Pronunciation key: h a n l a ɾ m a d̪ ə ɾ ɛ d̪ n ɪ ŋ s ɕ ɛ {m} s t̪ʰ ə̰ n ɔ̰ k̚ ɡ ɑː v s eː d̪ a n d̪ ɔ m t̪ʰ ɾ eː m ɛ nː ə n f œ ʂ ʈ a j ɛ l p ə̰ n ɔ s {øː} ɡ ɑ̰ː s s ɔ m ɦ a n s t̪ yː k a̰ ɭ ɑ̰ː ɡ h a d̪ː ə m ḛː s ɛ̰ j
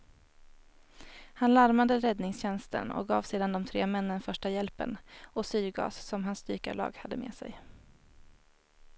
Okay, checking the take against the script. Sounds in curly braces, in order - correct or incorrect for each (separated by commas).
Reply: incorrect, incorrect